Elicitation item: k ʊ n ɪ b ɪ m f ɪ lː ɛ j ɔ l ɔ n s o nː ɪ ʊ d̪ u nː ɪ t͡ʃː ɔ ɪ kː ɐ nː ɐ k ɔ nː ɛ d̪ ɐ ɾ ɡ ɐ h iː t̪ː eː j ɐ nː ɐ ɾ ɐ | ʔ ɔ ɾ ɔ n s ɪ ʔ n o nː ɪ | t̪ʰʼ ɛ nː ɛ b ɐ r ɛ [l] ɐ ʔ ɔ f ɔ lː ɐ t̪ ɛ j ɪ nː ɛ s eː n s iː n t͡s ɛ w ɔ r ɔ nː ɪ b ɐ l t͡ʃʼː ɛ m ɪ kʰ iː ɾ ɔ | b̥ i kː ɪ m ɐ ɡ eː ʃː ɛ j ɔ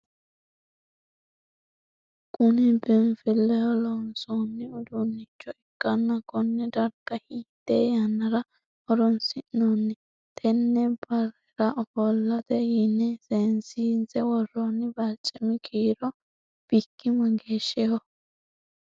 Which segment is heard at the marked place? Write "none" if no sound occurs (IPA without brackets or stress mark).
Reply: ɾ